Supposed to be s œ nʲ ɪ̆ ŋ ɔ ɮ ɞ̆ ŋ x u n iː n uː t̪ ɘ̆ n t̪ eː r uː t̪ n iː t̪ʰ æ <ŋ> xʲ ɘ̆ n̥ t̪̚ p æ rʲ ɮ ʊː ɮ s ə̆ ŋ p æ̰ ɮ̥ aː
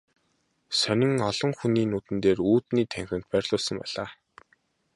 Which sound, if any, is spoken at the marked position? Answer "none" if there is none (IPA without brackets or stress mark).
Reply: ŋ